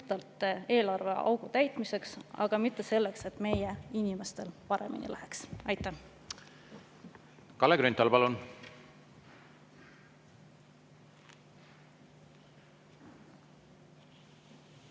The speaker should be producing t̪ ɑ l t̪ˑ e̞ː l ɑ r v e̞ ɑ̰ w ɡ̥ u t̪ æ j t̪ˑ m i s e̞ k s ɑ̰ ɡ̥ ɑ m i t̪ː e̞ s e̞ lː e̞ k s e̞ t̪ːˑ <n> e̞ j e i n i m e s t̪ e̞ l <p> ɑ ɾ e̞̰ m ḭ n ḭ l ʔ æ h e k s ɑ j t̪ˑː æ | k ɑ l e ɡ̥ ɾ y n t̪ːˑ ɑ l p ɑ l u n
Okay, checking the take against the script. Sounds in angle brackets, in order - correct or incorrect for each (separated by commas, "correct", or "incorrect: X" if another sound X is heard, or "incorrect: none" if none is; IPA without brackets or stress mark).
incorrect: m, correct